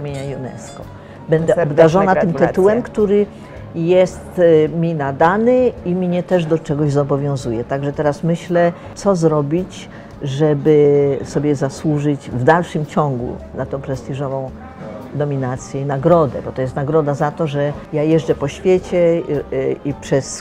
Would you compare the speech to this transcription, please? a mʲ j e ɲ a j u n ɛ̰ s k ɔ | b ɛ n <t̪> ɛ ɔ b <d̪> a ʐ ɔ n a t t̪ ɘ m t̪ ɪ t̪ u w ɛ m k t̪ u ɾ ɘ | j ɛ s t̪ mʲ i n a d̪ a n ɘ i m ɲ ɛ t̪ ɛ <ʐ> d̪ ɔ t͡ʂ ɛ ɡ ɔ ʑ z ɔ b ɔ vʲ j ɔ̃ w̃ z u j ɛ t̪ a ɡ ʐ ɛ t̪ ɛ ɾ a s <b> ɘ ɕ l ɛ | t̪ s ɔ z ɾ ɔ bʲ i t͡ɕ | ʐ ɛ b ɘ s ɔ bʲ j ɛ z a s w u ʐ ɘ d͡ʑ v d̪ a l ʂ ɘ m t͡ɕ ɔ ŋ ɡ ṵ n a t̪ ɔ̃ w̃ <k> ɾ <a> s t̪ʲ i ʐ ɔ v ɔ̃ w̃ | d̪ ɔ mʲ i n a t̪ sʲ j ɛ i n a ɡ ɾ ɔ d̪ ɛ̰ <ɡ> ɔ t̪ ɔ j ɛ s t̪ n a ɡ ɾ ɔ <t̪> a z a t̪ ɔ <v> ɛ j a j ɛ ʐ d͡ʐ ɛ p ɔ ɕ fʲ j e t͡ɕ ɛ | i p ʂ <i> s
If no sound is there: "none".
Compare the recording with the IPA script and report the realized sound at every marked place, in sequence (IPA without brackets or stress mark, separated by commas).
d̪, d̪, ʐ, m, p, ɛ, b, d̪, ʐ, ɛ